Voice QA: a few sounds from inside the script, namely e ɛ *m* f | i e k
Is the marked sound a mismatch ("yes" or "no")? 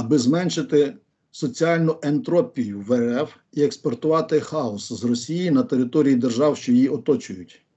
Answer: yes